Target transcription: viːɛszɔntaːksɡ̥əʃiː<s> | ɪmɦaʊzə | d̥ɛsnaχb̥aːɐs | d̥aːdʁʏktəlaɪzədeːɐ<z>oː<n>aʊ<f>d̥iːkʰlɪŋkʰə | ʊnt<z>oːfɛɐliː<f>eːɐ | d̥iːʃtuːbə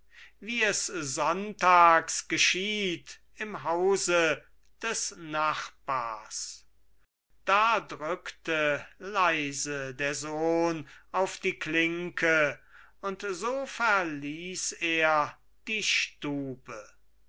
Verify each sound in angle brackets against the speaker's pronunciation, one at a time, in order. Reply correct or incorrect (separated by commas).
incorrect, correct, correct, correct, correct, incorrect